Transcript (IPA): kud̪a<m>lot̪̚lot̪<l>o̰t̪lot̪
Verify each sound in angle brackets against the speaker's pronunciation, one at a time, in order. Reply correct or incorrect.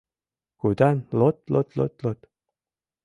incorrect: n, correct

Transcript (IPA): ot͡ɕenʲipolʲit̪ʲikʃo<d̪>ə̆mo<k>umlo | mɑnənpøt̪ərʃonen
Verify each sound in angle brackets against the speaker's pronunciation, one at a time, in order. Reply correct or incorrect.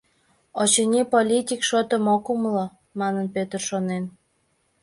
incorrect: t̪, correct

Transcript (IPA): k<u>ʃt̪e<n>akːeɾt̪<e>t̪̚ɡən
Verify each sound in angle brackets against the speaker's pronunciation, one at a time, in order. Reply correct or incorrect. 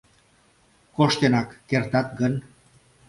incorrect: o, correct, incorrect: a

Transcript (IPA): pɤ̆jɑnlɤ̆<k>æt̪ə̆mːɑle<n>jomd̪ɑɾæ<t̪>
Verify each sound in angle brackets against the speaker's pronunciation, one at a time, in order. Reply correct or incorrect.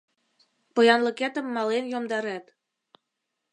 correct, correct, correct

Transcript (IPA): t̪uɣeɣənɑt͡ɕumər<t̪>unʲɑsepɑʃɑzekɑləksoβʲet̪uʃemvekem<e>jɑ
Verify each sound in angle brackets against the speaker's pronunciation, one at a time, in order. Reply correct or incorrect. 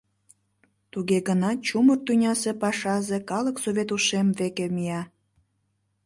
correct, incorrect: i

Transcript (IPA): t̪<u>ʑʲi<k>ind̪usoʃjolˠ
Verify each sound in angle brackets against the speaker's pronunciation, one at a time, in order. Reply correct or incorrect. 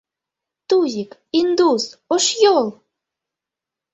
correct, correct

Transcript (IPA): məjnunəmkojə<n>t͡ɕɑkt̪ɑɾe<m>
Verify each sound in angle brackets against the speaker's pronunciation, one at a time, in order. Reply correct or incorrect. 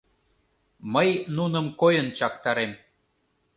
correct, correct

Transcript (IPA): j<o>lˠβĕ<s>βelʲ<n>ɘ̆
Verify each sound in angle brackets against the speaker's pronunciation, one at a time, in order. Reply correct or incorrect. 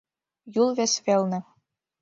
incorrect: u, correct, correct

